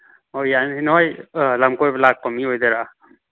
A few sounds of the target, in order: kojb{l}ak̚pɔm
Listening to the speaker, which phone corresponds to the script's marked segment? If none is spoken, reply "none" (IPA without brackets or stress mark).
l